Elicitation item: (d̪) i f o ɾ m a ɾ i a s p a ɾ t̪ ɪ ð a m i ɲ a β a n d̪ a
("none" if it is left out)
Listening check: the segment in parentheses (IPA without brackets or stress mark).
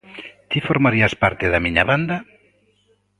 t̪